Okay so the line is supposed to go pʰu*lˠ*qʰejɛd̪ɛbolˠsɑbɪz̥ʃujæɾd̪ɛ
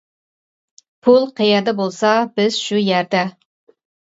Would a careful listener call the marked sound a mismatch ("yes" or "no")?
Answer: no